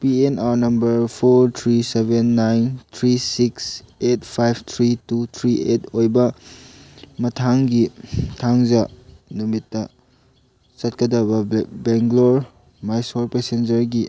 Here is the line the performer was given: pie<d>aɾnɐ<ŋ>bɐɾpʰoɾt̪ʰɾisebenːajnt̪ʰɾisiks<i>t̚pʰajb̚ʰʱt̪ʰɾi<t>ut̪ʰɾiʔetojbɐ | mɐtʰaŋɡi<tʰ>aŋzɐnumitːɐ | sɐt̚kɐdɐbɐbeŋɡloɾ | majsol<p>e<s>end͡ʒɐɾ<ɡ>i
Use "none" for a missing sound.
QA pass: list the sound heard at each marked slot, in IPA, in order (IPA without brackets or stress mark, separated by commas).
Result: n, m, e, t, tʰ, p, s, ɡ